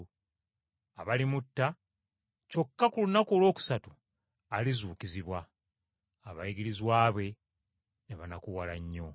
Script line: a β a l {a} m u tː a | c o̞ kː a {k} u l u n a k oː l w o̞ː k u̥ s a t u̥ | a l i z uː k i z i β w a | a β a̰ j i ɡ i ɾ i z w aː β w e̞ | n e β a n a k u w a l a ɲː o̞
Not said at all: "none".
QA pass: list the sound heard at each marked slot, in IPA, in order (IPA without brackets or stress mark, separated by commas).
i, k